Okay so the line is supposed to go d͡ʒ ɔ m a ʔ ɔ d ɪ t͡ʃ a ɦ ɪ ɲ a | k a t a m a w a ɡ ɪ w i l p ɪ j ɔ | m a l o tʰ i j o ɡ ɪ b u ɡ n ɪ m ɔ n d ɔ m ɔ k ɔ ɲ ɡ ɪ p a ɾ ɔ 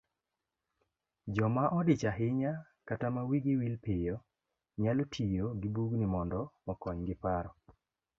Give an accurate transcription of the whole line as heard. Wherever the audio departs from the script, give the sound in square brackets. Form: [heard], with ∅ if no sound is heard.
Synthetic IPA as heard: d͡ʒ ɔ m a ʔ ɔ d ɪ t͡ʃ a ɦ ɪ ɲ a | k a t a m a w [i] ɡ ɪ w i l p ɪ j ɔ | [ɲ] a l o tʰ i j o ɡ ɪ b u ɡ n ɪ m ɔ n d ɔ m ɔ k ɔ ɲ ɡ ɪ p a ɾ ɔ